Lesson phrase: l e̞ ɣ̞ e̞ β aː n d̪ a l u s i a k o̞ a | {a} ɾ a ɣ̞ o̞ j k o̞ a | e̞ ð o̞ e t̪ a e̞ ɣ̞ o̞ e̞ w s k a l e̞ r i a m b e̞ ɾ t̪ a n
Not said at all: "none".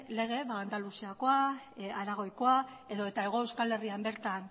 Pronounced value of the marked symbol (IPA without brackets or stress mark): a